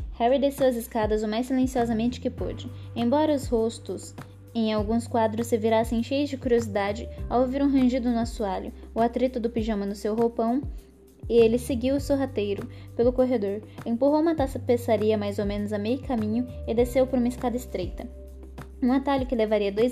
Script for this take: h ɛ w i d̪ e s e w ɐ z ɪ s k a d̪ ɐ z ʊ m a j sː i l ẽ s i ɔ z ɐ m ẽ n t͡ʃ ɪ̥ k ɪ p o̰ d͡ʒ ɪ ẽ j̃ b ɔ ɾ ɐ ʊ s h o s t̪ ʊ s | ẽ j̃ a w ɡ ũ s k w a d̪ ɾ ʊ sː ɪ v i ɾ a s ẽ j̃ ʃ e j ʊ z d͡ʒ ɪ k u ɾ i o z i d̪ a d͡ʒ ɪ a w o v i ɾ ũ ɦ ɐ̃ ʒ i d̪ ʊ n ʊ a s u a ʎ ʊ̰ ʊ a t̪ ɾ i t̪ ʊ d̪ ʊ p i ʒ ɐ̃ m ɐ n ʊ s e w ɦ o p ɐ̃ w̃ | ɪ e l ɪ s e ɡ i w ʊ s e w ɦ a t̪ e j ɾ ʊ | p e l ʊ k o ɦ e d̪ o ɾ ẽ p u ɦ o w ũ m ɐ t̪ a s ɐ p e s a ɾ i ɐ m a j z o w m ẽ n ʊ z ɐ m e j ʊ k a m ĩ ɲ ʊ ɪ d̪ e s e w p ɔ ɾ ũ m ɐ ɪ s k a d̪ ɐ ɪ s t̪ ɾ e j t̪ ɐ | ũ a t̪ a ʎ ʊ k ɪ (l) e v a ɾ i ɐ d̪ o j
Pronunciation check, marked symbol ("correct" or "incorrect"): correct